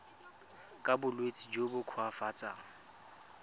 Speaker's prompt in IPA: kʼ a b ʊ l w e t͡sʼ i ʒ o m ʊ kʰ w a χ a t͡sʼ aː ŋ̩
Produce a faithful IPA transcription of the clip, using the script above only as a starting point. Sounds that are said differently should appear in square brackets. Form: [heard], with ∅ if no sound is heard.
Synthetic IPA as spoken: kʼ a b ʊ l w e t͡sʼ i [d͡ʒ] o [b] ʊ kʰ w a [f] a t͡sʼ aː ŋ̩